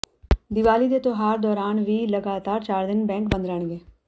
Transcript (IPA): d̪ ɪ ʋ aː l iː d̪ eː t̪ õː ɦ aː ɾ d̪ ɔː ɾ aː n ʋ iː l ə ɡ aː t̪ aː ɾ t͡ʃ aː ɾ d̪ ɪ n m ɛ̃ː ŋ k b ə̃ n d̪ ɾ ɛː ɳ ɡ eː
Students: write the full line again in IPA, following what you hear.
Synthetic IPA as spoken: d̪ ɪ ʋ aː l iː d̪ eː t̪ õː ɦ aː ɾ d̪ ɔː ɾ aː n ʋ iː l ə ɡ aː t̪ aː ɾ t͡ʃ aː ɾ d̪ ɪ n b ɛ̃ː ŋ k b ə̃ n d̪ ɾ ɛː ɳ ɡ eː